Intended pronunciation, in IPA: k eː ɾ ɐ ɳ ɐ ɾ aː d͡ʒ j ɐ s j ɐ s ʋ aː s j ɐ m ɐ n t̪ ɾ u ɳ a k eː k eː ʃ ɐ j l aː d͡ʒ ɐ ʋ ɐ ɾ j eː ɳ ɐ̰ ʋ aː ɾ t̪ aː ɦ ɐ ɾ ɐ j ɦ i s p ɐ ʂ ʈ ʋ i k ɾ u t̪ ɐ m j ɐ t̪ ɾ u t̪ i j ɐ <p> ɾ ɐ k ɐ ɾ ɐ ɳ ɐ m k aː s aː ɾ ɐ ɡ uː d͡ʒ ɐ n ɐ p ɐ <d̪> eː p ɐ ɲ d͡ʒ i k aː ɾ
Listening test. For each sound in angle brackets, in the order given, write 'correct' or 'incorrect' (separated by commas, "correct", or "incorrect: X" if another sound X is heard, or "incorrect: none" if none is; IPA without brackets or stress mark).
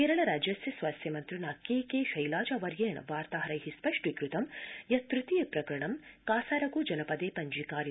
correct, correct